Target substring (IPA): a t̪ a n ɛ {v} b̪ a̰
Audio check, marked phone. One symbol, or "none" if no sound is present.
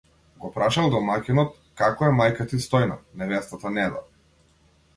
none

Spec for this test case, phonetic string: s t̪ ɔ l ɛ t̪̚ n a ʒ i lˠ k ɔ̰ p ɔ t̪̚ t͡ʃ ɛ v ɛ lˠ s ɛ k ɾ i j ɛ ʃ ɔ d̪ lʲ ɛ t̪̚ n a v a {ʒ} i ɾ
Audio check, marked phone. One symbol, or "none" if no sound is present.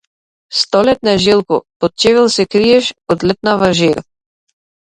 ʒ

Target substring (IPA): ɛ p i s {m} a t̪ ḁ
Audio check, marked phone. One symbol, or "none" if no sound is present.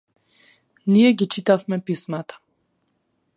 m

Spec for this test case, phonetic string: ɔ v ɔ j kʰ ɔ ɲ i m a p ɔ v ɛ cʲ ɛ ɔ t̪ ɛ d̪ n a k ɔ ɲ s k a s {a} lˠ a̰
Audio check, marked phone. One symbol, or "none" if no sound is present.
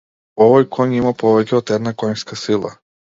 i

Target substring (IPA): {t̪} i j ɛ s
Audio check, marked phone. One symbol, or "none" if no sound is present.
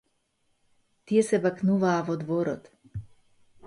t̪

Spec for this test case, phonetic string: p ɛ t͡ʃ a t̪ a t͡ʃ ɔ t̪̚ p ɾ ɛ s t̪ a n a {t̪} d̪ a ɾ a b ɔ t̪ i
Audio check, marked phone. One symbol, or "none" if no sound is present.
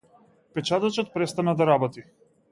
none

